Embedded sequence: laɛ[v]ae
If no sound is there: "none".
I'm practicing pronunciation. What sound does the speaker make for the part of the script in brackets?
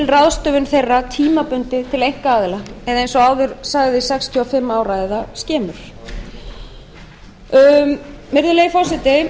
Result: ð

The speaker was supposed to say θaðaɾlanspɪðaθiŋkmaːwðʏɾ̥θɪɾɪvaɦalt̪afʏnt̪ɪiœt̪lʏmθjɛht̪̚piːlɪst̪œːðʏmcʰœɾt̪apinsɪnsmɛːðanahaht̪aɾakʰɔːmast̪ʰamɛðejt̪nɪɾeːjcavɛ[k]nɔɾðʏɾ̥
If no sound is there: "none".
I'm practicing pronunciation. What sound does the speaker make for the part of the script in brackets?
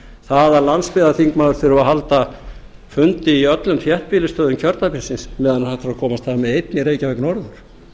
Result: k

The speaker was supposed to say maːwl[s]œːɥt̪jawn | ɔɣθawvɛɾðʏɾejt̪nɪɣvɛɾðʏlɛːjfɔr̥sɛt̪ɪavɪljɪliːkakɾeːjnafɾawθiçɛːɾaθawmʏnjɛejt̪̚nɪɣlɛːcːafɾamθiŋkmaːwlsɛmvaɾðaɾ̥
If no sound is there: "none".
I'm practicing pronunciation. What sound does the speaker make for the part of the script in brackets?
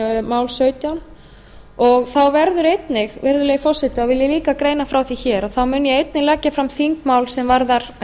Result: s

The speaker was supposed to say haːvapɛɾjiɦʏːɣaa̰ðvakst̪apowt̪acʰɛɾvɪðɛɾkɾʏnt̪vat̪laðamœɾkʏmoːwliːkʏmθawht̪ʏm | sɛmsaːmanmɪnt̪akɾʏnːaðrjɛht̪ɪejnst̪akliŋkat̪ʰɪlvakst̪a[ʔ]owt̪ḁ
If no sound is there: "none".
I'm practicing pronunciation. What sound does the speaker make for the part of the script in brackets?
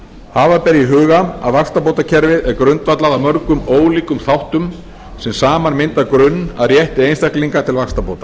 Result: p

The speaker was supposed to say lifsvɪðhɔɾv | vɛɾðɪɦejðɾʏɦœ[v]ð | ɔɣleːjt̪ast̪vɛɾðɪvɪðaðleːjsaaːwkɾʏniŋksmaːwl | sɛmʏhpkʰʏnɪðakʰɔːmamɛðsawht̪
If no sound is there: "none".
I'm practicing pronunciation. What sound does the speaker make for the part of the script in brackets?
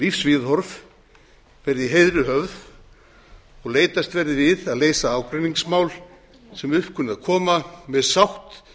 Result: v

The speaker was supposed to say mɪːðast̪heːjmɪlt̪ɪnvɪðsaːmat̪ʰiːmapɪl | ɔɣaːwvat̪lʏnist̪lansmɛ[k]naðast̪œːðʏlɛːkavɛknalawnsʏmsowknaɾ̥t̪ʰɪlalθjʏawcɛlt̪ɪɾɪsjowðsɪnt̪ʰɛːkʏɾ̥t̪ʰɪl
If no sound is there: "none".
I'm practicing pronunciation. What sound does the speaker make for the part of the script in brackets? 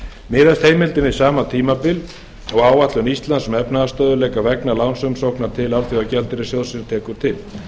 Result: p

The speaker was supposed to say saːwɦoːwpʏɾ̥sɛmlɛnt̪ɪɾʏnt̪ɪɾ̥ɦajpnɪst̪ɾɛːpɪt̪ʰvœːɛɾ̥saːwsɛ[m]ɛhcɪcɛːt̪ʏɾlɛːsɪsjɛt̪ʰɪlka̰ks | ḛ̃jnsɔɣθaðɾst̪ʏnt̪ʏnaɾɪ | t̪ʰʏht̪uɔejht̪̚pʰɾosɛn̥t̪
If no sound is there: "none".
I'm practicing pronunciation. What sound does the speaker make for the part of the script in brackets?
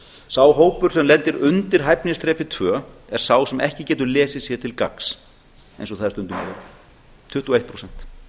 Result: m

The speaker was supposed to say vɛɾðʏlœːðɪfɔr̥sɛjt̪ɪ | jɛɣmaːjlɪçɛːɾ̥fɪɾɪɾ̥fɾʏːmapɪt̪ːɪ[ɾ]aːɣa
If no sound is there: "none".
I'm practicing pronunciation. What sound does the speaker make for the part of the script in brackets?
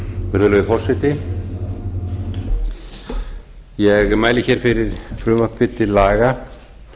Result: l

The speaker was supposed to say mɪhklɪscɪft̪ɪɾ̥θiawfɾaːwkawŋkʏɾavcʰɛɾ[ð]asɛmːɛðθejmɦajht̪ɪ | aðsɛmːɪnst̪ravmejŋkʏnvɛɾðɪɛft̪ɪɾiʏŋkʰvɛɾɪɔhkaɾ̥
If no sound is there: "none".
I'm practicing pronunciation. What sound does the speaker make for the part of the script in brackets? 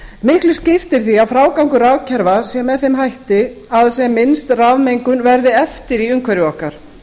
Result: v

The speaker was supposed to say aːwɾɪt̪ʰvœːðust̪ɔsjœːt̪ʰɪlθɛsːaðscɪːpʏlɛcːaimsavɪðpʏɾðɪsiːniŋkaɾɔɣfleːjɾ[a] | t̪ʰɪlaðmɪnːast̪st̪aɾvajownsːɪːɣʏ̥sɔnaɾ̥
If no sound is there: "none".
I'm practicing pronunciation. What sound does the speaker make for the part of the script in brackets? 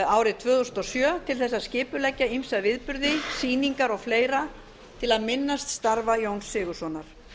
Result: a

